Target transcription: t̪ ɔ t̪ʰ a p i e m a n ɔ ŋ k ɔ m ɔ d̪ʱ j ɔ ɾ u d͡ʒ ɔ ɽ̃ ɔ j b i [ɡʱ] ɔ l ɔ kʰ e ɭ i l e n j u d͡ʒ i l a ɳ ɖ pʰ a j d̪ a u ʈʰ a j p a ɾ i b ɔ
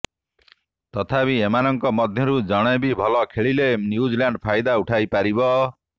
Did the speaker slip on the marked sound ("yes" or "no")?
yes